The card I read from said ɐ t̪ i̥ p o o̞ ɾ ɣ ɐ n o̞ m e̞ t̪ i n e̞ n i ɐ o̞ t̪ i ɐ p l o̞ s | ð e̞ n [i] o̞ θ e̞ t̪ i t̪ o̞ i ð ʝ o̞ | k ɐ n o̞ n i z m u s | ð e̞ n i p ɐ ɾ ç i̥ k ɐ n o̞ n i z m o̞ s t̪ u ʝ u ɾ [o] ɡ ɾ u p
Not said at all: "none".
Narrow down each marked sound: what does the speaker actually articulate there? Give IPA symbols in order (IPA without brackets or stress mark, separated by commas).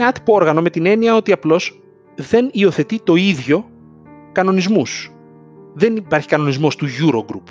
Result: i, o